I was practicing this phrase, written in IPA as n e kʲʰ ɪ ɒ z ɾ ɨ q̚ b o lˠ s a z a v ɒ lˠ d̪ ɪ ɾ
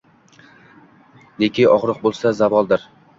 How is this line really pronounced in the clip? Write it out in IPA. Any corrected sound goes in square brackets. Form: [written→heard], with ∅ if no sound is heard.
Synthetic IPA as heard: n e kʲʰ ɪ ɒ [z→ʁ] ɾ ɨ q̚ b o lˠ s a z a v ɒ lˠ d̪ ɪ ɾ